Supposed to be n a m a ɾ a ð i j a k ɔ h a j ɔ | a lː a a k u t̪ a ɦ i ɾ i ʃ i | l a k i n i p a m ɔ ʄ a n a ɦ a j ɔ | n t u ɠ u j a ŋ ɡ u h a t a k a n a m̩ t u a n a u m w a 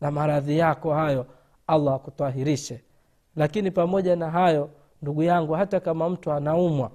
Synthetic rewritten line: n a m a ɾ a ð i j a k ɔ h a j ɔ | a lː a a k u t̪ a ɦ i ɾ i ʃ ɛ | l a k i n i p a m ɔ ʄ a n a ɦ a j ɔ | n d u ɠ u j a ŋ ɡ u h a t a k a m a m̩ t u a n a u m w a